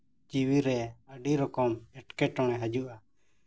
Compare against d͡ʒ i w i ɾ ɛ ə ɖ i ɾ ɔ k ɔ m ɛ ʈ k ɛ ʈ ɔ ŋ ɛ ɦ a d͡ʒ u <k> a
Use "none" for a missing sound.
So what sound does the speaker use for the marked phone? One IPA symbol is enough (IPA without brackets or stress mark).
ʔ